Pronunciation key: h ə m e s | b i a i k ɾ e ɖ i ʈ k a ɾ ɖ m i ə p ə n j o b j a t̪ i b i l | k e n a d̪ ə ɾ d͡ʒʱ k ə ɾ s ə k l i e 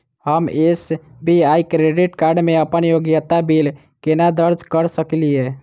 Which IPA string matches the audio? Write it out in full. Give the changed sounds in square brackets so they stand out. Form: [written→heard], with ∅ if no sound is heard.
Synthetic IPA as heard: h ə m e s | b i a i k ɾ e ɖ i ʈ k a ɾ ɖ m [i→e] ə p ə n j o [b→ɡ] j [a→ə] t̪ [i→a] b i l | k e n a d̪ ə ɾ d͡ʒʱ k ə ɾ s ə k l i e